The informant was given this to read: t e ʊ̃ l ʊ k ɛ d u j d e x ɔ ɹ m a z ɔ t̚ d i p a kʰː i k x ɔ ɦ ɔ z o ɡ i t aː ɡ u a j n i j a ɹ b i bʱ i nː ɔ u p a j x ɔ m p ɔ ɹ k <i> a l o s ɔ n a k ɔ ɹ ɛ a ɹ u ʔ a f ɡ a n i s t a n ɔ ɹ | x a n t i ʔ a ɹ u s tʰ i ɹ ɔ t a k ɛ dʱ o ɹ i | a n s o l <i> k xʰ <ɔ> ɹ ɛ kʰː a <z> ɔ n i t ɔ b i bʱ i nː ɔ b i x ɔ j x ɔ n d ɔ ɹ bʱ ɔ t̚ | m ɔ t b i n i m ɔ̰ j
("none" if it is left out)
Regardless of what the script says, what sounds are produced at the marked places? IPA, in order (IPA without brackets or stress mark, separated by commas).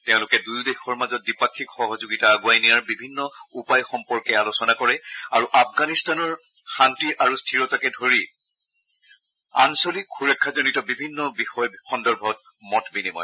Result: ɛ, i, u, z